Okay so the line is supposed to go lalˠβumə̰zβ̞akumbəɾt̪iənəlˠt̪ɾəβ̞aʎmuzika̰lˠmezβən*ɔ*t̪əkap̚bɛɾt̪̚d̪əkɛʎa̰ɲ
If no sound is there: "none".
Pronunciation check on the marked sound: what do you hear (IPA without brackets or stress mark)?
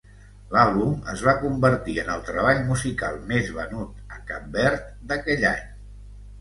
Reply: u